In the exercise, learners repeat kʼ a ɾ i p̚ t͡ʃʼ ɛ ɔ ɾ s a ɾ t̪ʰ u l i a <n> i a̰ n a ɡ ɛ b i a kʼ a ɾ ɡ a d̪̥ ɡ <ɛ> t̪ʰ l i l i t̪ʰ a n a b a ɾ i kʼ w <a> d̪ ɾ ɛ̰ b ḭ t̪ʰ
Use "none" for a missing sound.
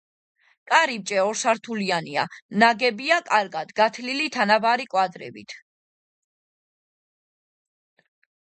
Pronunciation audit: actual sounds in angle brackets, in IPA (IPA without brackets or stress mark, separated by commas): n, a, a